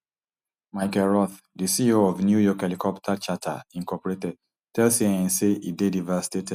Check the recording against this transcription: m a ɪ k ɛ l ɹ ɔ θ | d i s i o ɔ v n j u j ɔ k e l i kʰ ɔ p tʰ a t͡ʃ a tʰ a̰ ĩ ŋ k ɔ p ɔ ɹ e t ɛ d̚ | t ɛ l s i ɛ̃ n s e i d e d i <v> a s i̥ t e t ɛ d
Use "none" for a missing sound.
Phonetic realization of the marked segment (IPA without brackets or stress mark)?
v